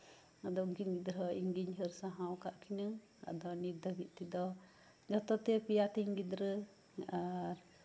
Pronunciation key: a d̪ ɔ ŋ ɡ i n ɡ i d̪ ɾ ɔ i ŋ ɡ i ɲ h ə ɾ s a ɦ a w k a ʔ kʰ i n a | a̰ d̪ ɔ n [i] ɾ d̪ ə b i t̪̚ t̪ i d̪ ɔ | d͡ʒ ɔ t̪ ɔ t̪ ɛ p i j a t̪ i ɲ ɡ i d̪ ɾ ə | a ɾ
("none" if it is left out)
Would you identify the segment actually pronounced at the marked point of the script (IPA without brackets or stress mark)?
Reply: i